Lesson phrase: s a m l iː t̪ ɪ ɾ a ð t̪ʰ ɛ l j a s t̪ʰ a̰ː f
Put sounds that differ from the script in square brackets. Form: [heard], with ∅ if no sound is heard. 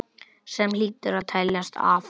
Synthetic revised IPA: s [ɛ] m l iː t̪ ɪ ɾ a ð t̪ʰ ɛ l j a s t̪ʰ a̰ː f